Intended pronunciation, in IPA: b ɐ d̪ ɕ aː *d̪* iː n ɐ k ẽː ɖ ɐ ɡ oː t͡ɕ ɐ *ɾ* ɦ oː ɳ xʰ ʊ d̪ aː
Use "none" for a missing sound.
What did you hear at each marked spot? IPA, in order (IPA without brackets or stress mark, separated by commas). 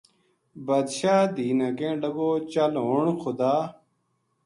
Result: d̪, l